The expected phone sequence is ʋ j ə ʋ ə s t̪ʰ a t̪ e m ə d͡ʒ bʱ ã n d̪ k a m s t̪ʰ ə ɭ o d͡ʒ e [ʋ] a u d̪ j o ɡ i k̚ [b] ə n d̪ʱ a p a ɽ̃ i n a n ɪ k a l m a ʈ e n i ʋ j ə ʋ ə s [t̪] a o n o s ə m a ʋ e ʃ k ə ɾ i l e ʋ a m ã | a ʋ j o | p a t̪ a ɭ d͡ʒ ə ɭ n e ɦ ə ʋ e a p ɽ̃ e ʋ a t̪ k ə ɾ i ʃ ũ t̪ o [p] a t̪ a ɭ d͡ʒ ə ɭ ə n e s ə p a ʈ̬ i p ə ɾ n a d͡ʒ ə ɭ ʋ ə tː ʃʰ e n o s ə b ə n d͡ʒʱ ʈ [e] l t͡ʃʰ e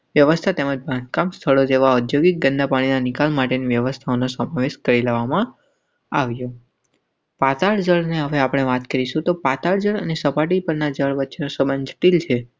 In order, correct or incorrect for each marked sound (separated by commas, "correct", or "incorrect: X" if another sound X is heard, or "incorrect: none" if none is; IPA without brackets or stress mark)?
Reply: correct, incorrect: ɡ, incorrect: t̪ʰ, correct, incorrect: i